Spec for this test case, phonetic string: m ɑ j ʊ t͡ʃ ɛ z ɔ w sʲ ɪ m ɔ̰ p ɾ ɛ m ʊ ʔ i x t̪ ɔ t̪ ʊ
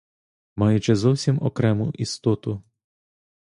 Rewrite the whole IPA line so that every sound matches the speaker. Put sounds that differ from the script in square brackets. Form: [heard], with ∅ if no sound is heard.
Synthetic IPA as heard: m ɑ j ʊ t͡ʃ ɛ z ɔ w sʲ [i] m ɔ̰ [k] ɾ ɛ m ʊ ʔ i [s] t̪ ɔ t̪ ʊ

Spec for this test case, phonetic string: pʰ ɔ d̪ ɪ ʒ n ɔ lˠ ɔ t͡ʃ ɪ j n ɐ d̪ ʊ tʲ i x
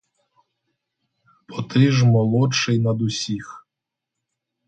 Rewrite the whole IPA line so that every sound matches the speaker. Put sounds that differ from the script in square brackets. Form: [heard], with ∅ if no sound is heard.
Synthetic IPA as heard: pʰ ɔ [t̪] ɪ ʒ [m] ɔ lˠ ɔ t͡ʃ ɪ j n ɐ d̪ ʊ [sʲ] i x

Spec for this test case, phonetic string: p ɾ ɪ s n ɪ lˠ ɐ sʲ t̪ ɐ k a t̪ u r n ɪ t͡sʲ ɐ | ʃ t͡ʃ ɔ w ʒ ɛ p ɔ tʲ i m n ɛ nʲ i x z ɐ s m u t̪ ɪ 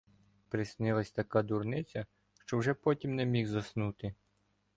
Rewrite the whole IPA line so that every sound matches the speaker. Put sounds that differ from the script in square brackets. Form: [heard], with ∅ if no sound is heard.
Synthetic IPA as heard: p ɾ ɪ s n ɪ lˠ ɐ sʲ t̪ ɐ k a [d̪] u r n ɪ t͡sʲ ɐ | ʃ t͡ʃ ɔ w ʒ ɛ p ɔ tʲ i m n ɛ [mʲ] i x z ɐ s [n] u t̪ ɪ

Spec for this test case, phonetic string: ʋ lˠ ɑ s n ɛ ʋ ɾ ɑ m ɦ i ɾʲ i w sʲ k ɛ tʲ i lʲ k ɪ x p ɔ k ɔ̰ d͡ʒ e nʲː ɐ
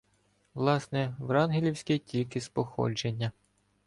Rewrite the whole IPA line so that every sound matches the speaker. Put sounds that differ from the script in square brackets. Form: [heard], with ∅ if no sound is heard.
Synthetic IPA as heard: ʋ lˠ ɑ s n ɛ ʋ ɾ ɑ [n] ɦ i [lʲ] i w sʲ k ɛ tʲ i lʲ k ɪ [s] p ɔ [x] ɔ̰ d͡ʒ e nʲː ɐ

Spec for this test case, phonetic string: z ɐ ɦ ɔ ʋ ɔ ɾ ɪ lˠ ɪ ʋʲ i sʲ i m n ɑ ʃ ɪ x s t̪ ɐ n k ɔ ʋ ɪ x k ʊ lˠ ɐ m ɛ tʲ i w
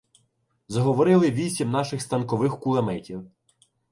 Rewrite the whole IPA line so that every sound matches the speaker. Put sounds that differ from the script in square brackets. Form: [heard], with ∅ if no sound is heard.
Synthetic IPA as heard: z ɐ ɦ ɔ ʋ ɔ ɾ ɪ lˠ ɪ ʋʲ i sʲ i m n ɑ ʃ ɪ x s t̪ ɐ n k ɔ ʋ ɪ x k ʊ lˠ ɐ m ɛ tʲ i w

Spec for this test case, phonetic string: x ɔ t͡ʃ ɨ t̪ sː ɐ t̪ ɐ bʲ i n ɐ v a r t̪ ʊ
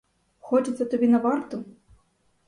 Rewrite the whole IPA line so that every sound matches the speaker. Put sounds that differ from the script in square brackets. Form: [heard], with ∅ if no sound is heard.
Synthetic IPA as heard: x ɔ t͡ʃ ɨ t̪ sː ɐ t̪ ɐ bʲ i n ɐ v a r t̪ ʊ

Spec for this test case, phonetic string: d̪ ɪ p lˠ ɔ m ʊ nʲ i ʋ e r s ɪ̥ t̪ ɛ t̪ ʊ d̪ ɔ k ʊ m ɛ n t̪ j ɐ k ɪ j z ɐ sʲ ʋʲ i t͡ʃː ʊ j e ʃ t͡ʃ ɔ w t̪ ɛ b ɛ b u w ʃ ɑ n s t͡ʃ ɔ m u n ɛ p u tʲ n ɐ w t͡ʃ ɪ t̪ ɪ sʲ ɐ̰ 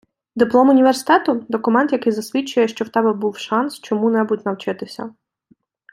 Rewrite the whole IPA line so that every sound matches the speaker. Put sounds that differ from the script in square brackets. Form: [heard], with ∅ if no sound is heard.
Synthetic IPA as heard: d̪ ɪ p lˠ ɔ m ʊ nʲ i ʋ e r s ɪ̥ t̪ ɛ t̪ ʊ d̪ ɔ k ʊ m ɛ n t̪ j ɐ k ɪ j z ɐ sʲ ʋʲ i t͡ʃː ʊ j [ɛ] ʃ t͡ʃ ɔ w t̪ ɛ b ɛ b u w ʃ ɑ n s t͡ʃ ɔ m u n ɛ [b] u tʲ n ɐ w t͡ʃ ɪ t̪ ɪ sʲ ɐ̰

